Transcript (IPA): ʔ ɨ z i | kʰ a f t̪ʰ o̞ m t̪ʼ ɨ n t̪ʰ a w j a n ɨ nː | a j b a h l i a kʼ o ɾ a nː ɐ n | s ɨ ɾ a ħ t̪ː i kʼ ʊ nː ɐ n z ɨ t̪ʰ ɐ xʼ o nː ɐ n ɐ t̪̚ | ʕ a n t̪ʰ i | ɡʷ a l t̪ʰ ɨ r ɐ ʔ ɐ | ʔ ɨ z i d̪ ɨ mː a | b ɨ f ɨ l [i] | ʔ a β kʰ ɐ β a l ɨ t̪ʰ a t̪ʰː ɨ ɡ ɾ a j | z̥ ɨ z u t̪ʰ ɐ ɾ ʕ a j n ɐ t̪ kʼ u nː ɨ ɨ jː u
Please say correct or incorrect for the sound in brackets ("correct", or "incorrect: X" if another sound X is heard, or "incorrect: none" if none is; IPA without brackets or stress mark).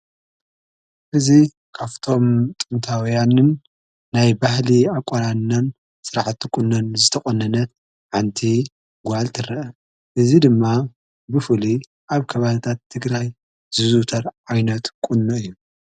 correct